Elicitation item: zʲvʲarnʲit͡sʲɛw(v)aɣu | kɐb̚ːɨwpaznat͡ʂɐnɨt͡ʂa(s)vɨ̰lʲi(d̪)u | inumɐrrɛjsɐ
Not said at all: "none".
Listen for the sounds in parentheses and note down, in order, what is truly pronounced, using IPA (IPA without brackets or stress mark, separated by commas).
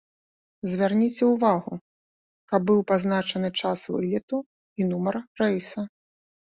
v, s, t̪